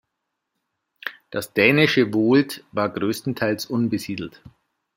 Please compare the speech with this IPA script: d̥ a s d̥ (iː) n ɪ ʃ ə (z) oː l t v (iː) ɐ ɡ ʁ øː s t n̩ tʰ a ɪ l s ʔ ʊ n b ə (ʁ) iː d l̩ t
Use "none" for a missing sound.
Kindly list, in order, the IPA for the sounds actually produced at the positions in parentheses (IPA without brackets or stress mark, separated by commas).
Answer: ɛː, v, aː, z